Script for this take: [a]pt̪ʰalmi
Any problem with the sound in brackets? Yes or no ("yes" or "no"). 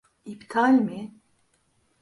yes